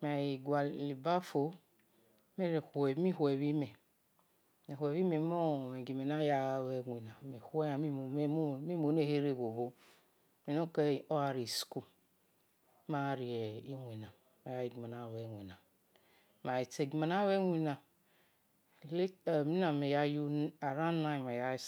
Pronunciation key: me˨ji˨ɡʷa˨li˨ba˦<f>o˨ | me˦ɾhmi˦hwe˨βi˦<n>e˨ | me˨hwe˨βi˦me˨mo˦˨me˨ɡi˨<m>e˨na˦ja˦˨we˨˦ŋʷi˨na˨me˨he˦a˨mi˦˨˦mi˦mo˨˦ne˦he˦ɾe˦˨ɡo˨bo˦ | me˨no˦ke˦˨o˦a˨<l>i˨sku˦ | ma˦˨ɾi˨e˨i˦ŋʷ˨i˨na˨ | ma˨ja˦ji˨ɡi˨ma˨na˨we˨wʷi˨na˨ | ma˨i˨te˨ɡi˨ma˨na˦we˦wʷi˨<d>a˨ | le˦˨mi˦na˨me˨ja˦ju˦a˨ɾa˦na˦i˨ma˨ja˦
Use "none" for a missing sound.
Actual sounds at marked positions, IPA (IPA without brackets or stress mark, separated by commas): f, m, m, ɾ, n